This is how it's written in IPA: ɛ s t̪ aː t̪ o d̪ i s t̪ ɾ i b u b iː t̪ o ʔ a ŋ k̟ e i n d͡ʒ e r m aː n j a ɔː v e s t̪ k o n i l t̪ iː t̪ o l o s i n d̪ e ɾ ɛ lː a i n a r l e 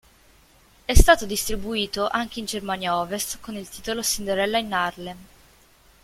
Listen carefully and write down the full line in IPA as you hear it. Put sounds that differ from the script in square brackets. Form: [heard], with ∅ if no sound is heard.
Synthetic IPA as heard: ɛ s t̪ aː t̪ o d̪ i s t̪ ɾ i b u [∅] iː t̪ o ʔ a ŋ k̟ e i n d͡ʒ e r m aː n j a ɔː v e s t̪ k o n i l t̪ iː t̪ o l o s i n d̪ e ɾ ɛ lː a i n a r l e